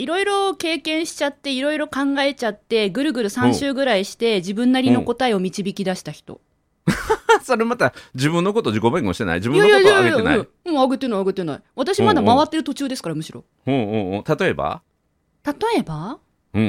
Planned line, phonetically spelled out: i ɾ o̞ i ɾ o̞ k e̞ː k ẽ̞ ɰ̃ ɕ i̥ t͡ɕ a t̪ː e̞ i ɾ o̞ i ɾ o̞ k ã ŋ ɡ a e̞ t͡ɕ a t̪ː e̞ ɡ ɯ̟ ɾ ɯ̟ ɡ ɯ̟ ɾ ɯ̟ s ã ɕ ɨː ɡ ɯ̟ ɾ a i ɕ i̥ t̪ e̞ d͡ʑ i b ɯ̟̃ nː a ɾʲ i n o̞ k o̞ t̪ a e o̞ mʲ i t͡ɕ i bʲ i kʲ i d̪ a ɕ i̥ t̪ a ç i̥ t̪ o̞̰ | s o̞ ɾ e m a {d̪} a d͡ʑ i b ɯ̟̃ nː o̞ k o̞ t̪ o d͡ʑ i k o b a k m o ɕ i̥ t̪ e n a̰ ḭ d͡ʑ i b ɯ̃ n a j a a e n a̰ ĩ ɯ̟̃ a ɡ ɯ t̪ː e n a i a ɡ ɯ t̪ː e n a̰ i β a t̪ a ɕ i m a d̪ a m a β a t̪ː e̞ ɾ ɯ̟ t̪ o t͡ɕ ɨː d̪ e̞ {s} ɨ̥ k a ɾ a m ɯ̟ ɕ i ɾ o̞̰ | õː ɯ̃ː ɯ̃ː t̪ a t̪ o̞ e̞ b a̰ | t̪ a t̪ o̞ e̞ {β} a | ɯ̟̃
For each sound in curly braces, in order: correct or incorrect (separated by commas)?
incorrect, correct, incorrect